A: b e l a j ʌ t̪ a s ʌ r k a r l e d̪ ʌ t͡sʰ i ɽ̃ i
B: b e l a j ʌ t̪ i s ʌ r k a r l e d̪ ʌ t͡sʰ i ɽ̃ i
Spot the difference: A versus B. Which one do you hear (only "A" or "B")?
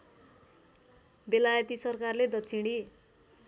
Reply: B